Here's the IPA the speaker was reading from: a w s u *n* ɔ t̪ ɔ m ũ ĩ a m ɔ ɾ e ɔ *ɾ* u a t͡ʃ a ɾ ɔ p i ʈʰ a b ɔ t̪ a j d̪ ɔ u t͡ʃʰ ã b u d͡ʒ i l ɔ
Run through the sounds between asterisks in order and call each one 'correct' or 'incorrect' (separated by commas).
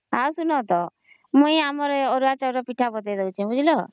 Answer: correct, correct